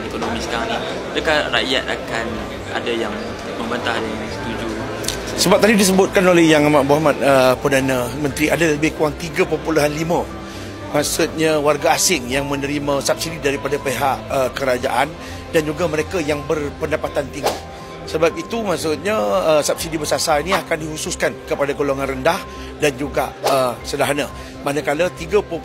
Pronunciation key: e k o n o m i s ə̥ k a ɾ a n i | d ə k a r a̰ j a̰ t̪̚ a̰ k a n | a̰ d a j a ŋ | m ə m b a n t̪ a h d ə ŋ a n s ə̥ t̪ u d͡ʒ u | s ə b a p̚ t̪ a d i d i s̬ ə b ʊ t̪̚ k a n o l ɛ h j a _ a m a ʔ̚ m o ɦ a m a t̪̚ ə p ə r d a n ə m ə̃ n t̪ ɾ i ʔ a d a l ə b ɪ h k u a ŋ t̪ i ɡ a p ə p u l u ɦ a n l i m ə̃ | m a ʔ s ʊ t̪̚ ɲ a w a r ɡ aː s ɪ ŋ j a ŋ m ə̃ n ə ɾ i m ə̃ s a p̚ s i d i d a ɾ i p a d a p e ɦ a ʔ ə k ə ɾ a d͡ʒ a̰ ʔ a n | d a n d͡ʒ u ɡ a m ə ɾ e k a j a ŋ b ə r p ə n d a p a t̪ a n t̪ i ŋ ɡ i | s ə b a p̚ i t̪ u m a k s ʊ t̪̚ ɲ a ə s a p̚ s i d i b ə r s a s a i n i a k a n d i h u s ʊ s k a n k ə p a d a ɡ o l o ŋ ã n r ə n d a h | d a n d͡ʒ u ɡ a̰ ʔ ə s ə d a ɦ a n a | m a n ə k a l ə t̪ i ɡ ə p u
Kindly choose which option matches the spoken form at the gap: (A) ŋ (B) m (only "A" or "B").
A